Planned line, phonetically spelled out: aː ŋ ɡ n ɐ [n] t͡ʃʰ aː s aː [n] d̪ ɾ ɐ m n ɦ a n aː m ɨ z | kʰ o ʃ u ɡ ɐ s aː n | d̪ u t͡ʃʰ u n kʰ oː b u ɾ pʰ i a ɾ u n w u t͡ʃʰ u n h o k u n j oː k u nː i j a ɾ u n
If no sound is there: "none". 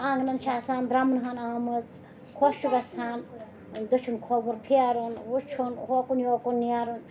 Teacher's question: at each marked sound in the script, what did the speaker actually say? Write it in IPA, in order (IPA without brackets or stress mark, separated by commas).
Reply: n, n